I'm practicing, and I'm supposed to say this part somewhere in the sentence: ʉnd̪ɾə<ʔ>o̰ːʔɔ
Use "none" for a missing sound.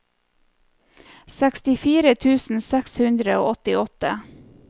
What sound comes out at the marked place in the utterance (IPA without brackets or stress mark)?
none